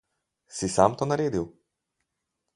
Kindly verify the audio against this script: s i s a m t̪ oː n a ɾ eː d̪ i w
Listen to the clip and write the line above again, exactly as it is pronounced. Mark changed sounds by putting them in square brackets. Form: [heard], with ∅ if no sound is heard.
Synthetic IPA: s i s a m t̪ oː n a ɾ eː d̪ i w